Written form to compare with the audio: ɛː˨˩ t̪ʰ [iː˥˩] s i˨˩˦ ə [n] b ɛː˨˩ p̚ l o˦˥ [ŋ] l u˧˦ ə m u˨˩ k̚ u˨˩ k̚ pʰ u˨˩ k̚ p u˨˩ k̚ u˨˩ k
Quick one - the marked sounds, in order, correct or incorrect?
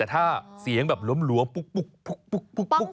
incorrect, incorrect, incorrect

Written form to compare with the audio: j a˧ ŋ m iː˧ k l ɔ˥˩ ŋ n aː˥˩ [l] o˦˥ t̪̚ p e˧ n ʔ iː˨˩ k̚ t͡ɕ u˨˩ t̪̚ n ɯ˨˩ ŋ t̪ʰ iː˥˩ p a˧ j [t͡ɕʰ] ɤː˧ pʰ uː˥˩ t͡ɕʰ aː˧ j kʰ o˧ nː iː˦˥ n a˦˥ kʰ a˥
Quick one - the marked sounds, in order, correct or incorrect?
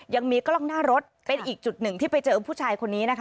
incorrect, incorrect

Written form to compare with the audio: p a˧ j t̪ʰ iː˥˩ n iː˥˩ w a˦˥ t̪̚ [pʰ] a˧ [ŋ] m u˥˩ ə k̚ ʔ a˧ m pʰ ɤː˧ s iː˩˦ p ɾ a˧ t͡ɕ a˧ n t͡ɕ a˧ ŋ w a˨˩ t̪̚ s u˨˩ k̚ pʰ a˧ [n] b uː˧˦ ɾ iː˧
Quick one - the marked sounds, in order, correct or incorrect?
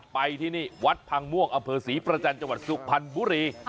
correct, correct, correct

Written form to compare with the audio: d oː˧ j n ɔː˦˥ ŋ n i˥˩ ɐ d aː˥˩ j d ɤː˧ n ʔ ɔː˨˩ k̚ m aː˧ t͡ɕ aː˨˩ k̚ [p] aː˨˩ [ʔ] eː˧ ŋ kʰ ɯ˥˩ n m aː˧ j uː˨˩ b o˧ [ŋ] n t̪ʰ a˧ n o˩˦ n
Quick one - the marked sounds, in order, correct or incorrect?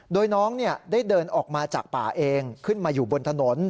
correct, correct, incorrect

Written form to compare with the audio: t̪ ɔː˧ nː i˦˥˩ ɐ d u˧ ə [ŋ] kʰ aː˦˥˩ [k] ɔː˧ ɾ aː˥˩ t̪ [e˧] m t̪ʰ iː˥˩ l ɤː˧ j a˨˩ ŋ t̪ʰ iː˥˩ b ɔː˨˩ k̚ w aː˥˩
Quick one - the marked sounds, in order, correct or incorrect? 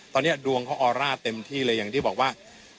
correct, incorrect, correct

